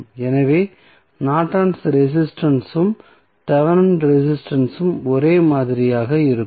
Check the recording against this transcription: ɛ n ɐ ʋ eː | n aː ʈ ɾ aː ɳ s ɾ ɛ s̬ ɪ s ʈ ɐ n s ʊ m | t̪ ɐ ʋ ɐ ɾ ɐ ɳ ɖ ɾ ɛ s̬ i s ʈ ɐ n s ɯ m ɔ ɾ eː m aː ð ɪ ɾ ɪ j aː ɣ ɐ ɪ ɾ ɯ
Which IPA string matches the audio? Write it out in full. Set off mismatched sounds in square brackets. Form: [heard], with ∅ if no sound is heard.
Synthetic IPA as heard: ɛ n ɐ ʋ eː | n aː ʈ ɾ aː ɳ s ɾ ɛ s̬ ɪ s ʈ ɐ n s [ɯ] m | t̪ ɐ ʋ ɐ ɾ ɐ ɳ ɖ ɾ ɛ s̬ [ɪ] s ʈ ɐ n s ɯ m ɔ ɾ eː m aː ð ɪ ɾ ɪ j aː ɣ ɐ ɪ ɾ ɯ